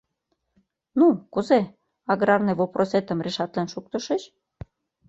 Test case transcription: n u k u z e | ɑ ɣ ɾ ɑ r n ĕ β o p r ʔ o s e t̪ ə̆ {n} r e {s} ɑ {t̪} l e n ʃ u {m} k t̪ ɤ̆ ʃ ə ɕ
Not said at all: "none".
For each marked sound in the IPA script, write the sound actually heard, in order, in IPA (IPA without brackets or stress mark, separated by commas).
m, ʃ, t̪, none